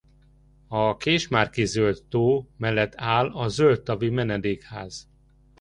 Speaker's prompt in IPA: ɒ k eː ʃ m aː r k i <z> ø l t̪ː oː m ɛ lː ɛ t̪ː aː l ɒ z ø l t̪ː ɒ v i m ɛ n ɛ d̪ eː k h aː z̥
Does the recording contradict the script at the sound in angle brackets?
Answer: no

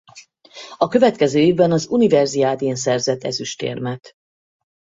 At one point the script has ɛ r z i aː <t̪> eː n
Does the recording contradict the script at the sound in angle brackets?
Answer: yes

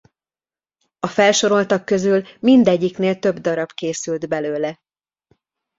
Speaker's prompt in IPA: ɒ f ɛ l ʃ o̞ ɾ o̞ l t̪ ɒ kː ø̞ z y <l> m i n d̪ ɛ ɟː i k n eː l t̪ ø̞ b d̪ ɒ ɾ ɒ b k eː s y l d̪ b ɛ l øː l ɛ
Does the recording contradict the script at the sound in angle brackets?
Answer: no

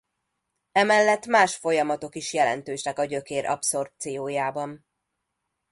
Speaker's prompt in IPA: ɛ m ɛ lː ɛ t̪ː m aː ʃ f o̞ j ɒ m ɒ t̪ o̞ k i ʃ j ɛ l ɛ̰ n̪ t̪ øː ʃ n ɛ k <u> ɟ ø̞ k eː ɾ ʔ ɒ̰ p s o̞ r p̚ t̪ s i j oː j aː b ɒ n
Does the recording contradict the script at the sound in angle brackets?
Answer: yes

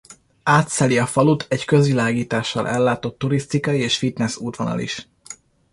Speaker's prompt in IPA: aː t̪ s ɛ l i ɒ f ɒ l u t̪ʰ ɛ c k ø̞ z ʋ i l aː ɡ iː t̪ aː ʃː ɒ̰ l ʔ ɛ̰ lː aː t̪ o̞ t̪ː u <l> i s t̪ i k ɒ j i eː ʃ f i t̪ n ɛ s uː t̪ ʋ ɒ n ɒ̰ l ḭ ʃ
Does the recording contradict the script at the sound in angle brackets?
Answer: yes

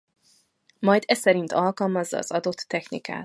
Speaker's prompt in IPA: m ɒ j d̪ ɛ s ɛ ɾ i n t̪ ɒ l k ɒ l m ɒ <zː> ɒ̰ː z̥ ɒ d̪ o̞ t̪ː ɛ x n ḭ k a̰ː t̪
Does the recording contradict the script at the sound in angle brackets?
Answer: no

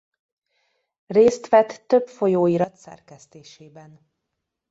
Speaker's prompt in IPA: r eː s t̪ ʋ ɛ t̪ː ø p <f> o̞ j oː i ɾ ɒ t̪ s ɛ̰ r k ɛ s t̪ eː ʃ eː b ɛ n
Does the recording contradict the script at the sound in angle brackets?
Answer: no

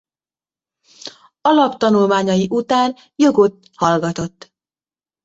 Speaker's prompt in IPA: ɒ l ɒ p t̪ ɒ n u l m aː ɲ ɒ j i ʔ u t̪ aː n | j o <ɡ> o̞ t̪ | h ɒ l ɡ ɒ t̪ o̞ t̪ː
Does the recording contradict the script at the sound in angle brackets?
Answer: no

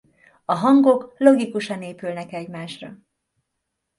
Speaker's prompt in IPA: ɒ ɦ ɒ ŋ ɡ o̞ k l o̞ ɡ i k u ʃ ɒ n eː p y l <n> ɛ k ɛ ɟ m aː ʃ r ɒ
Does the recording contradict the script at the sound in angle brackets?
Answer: no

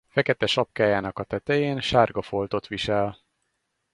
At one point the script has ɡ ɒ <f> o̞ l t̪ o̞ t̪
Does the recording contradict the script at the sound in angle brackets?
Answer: no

